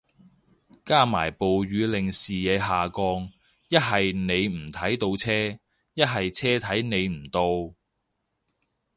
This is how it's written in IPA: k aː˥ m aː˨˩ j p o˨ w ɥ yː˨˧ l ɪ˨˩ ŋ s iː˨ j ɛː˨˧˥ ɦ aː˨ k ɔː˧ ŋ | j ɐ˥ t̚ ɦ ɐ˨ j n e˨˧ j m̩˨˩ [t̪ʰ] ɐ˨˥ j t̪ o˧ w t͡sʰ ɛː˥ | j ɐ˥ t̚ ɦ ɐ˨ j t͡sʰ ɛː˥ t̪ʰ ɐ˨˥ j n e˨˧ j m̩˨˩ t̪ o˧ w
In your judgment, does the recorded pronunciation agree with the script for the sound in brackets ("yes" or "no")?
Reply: yes